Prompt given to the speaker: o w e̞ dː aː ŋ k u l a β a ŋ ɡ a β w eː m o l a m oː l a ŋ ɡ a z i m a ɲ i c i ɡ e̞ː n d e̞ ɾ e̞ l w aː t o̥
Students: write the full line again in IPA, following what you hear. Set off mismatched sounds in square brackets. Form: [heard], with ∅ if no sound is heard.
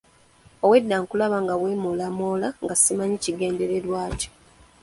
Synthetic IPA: o w e̞ dː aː ŋ k u l a β a ŋ ɡ a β w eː m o l a m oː l a ŋ ɡ a [s] i m a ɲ i c i ɡ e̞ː n d e̞ ɾ e̞ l w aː [c] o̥